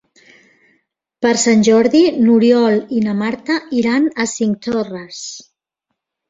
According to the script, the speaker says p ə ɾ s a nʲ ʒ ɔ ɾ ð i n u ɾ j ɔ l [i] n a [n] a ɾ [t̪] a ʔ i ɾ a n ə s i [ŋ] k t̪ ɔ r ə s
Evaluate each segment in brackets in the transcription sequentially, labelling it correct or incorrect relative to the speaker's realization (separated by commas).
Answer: correct, incorrect, correct, correct